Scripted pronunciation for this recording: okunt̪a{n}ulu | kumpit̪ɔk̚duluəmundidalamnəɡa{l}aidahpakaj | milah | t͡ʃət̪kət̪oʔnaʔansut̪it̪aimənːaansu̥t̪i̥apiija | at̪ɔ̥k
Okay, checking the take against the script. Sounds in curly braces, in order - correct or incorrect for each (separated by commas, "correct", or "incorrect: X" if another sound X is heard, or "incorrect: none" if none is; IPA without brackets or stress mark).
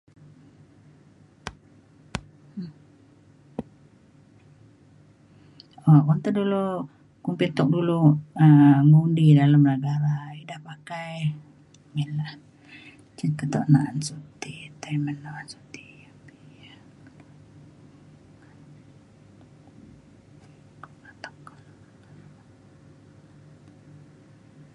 incorrect: d, incorrect: ɾ